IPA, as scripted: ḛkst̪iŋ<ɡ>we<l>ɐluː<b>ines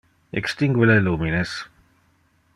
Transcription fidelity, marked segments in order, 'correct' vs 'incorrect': correct, correct, incorrect: m

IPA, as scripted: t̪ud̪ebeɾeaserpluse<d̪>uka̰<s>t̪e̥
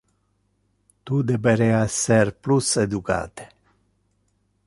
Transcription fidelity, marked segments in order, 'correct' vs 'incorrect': correct, incorrect: none

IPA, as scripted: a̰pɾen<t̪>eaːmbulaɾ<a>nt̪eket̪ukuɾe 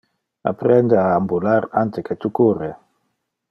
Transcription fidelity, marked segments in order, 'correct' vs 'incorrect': incorrect: d̪, correct

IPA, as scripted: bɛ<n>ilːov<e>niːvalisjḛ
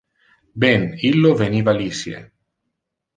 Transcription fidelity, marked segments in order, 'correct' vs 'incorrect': correct, correct

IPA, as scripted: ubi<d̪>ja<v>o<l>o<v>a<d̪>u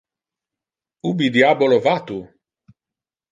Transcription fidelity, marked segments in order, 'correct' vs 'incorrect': correct, incorrect: b, correct, correct, incorrect: t̪

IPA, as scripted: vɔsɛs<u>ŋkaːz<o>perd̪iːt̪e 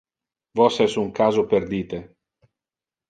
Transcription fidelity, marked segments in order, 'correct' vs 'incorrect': correct, correct

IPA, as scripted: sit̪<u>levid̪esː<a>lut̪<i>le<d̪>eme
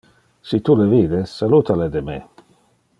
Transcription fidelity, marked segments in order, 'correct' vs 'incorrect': correct, correct, incorrect: a, correct

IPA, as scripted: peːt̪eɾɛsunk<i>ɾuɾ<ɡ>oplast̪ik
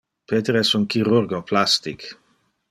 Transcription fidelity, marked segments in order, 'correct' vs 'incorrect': correct, correct

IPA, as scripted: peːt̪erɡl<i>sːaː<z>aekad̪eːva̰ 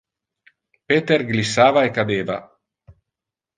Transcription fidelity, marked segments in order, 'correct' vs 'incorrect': correct, incorrect: v

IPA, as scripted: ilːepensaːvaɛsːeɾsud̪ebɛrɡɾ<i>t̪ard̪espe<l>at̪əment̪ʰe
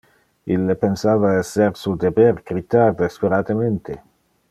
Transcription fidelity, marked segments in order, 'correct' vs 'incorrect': correct, incorrect: ɾ

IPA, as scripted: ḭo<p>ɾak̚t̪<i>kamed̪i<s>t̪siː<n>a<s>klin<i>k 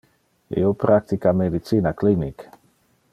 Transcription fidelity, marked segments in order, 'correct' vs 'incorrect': correct, correct, incorrect: none, correct, incorrect: none, correct

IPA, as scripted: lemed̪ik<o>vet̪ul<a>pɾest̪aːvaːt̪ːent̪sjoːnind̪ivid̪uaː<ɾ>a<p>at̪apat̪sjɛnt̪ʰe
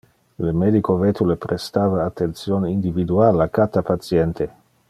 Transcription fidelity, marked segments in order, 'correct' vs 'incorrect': correct, incorrect: e, incorrect: l, incorrect: k

